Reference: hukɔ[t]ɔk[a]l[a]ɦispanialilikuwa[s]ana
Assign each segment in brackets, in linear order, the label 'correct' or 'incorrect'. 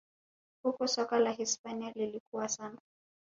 incorrect, correct, correct, correct

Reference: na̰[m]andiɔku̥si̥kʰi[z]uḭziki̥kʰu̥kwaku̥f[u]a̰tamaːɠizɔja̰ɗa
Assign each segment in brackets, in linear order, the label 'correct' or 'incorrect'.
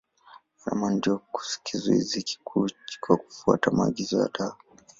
correct, correct, correct

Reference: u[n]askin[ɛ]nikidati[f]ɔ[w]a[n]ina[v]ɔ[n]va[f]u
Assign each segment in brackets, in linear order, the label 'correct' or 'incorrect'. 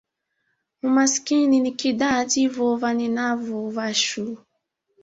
incorrect, incorrect, incorrect, incorrect, correct, correct, incorrect, incorrect

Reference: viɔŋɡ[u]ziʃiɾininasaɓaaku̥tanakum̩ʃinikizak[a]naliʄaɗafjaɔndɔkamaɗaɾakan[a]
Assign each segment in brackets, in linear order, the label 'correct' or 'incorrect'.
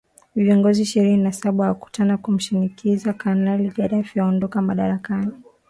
incorrect, correct, incorrect

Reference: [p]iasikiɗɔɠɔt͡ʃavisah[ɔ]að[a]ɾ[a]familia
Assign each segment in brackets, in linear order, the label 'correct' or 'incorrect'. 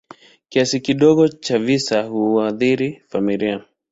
incorrect, incorrect, incorrect, incorrect

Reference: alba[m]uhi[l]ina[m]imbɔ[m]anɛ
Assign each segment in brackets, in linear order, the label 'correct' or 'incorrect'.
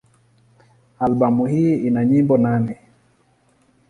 correct, incorrect, incorrect, incorrect

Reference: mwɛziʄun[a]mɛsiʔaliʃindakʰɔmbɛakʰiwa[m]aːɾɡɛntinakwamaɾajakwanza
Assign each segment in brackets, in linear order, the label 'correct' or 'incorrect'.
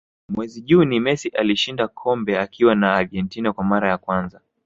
incorrect, incorrect

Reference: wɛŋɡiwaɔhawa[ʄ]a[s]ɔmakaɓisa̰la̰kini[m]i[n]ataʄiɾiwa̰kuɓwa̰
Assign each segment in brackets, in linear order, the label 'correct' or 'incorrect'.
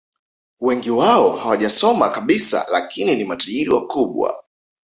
correct, correct, incorrect, incorrect

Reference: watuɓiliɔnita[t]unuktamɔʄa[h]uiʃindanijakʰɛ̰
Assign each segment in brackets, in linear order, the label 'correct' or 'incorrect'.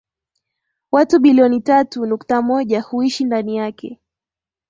correct, correct

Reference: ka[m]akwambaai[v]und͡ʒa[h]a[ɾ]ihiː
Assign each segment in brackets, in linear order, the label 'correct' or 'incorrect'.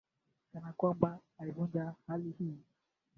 incorrect, correct, correct, incorrect

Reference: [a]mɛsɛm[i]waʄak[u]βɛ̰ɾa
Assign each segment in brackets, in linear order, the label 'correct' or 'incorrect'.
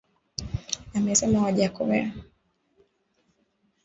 correct, incorrect, incorrect

